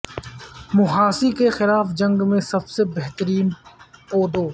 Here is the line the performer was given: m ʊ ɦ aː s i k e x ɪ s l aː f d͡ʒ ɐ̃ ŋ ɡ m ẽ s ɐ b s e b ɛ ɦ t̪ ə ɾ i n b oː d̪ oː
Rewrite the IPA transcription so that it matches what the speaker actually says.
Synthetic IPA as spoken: m ʊ ɦ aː s i k e x ɪ l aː f d͡ʒ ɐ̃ ŋ ɡ m ẽ s ɐ b s e b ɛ ɦ t̪ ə ɾ iː n p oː d̪ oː

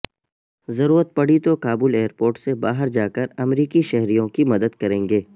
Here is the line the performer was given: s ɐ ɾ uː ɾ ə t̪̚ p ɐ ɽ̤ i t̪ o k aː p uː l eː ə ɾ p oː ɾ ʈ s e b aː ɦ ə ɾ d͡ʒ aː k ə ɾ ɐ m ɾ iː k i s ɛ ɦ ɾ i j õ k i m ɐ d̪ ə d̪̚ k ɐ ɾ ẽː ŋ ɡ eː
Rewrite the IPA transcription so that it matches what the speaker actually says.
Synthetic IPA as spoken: z ɐ ɾ uː ɾ ə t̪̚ p ɐ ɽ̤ i t̪ o k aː b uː l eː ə ɾ p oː ɾ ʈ s e b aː ɦ ə ɾ d͡ʒ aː k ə ɾ ɐ m ɾ iː k i ʃ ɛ ɦ ɾ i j õ k i m ɐ d̪ ə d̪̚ k ɐ ɾ ẽː ŋ ɡ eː

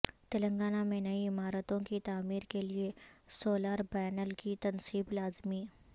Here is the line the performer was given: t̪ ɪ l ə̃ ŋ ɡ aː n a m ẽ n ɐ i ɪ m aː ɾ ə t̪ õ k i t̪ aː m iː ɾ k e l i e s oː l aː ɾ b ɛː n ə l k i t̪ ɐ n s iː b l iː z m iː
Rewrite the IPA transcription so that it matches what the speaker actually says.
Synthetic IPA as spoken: t̪ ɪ l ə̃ ŋ ɡ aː n a m ẽ n ɐ i ɪ m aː ɾ ə t̪ õ k i t̪ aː m iː ɾ k e l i e s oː l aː ɾ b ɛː n ə l k i t̪ ɐ n s iː b l aː z m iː

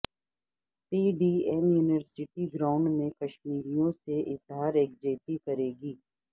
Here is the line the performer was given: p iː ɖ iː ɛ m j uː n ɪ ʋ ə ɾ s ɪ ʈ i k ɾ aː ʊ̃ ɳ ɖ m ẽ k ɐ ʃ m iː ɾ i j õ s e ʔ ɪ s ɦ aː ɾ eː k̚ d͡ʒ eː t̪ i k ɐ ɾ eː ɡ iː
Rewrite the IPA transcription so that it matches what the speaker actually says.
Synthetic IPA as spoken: p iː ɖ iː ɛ m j uː n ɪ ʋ ə ɾ s ɪ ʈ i ɡ ɾ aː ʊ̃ ɳ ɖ m ẽ k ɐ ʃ m iː ɾ i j õ s e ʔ ɪ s ɦ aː ɾ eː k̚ d͡ʒ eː t̪ i k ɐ ɾ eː ɡ iː

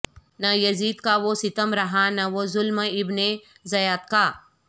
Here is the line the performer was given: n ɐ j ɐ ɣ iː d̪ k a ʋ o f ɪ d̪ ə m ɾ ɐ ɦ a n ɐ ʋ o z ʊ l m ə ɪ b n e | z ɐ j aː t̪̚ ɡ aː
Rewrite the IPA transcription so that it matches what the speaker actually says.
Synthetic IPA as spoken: n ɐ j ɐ z iː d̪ k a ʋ o s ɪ t̪ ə m ɾ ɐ ɦ a n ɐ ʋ o z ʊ l m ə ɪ b n e | z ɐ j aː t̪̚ k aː

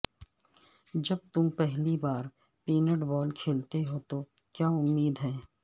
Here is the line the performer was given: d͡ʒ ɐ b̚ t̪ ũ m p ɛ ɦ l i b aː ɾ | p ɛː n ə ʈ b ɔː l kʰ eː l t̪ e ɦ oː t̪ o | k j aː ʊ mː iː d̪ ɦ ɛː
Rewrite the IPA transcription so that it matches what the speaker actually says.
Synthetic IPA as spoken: d͡ʒ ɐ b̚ t̪ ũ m p ɛ ɦ l i b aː ɾ | p iː n ə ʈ b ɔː l kʰ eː l t̪ e ɦ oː t̪ o | k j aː ʊ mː iː d̪ ɦ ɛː

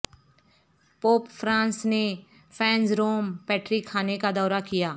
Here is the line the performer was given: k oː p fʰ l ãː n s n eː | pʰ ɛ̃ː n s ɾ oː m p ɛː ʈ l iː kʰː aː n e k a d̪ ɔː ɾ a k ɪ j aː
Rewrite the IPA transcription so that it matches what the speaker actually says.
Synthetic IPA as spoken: p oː p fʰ ɾ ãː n s n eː | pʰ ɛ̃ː n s ɾ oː m p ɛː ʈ ɾ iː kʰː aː n e k a d̪ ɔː ɾ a k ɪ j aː

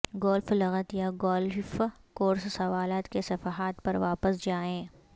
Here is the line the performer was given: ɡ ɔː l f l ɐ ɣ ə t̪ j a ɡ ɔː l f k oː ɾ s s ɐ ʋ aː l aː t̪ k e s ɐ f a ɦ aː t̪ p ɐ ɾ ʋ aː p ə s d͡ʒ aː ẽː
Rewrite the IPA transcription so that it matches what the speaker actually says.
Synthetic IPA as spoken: ɡ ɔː l f l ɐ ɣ ə t̪ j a ɡ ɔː l f k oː ɾ s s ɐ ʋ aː l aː t̪ k e s ɐ f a ɦ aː t̪ p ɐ ɾ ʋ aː p ə s d͡ʒ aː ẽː

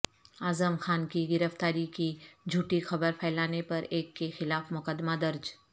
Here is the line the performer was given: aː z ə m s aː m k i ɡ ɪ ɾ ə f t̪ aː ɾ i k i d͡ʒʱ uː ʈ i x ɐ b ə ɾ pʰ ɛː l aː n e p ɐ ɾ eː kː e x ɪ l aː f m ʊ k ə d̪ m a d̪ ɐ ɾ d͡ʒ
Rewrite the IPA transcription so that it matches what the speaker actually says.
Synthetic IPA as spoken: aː z ə m x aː n k i ɡ ɪ ɾ ə f t̪ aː ɾ i k i d͡ʒʱ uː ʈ i x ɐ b ə ɾ pʰ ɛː l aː n e p ɐ ɾ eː kː e x ɪ l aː f m ʊ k ə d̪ m a d̪ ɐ ɾ d͡ʒ

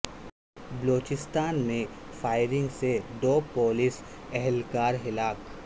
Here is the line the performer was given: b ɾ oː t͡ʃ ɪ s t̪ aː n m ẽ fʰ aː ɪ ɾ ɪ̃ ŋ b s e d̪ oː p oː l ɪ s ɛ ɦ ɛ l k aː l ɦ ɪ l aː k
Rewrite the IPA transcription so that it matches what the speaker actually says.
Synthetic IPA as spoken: b l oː t͡ʃ ɪ s t̪ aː n m ẽ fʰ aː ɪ ɾ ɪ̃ ŋ ɡ s e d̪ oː p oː l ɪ s ɛ ɦ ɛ l k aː ɾ ɦ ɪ l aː k

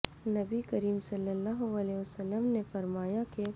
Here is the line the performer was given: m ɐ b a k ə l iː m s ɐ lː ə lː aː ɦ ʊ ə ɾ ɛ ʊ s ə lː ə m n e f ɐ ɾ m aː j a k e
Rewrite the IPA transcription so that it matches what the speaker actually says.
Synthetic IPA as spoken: n ɐ b i k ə ɾ iː m s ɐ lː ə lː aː ɦ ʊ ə l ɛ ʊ s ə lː ə m n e f ɐ ɾ m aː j a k e

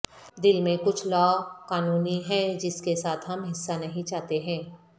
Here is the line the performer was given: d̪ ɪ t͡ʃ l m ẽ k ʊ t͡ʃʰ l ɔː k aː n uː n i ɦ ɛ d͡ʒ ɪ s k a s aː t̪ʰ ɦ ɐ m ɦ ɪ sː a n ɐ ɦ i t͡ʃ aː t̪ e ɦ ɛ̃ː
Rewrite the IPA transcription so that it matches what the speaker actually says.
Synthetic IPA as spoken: d̪ ɪ l m ẽ k ʊ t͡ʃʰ l ɔː k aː n uː n i ɦ ɛ d͡ʒ ɪ s k e s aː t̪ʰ ɦ ɐ m ɦ ɪ sː a n ɐ ɦ ĩ t͡ʃ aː t̪ e ɦ ɛ̃ː

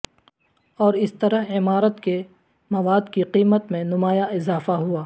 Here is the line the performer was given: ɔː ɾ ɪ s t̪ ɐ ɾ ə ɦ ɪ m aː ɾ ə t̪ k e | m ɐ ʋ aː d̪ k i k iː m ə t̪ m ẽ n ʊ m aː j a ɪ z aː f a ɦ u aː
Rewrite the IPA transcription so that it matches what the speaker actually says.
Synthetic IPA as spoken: ɔː ɾ ɪ s t̪ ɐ ɾ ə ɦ ɪ m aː ɾ ə t̪ k e | m ɐ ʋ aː d̪ k i q iː m ə t̪ m ẽ n ʊ m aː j a ɪ z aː f a ɦ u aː

